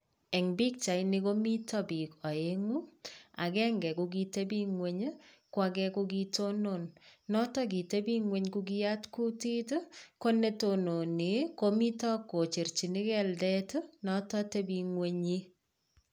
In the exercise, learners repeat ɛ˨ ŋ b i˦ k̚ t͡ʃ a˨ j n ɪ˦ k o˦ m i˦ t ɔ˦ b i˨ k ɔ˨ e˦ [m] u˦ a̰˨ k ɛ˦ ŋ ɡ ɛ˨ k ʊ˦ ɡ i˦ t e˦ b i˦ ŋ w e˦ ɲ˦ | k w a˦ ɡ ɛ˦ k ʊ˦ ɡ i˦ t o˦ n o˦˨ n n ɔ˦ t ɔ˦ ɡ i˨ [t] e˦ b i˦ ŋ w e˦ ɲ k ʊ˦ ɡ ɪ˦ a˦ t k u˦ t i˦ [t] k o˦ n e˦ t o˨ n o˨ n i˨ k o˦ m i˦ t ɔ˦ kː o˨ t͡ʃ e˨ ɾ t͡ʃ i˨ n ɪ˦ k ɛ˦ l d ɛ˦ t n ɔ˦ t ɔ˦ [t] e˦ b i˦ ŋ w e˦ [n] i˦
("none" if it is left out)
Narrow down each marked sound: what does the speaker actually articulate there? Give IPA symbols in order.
ŋ, t, t, t, ɲ

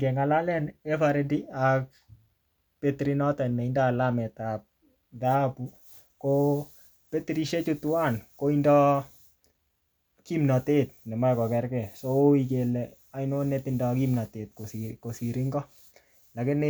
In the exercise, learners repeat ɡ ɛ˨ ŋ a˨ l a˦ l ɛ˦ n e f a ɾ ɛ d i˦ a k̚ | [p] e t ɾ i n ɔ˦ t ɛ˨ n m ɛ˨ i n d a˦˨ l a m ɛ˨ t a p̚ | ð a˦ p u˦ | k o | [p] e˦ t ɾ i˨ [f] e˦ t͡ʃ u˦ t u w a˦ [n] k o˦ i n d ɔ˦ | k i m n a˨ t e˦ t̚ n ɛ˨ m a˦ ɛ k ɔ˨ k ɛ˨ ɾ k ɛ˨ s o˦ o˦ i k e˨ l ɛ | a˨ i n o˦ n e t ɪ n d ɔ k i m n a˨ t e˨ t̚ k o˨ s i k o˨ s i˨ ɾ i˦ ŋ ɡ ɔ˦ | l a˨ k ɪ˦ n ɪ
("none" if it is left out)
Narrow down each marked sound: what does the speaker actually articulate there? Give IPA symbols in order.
p, p, ʃ, n

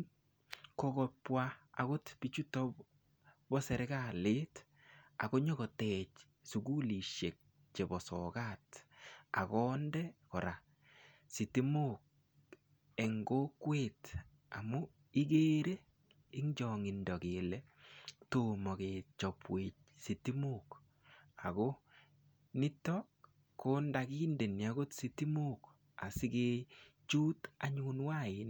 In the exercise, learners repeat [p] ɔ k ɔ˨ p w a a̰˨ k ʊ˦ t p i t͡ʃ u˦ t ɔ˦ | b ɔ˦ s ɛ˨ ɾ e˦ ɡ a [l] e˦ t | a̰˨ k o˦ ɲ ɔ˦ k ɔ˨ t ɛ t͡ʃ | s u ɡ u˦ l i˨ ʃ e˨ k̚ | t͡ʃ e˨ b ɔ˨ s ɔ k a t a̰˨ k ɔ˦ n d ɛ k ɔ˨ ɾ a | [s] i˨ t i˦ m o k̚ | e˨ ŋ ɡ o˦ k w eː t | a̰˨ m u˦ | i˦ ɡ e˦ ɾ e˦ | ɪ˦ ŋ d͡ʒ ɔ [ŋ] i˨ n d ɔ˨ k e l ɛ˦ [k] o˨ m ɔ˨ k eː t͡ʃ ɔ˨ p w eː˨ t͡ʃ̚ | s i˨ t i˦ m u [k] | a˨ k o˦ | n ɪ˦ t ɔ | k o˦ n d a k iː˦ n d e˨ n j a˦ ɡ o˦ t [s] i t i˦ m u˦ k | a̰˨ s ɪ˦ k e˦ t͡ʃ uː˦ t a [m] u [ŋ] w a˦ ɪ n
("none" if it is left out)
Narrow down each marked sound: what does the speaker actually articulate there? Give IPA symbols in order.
k, l, s, ŋ, t, k, s, ɲ, n

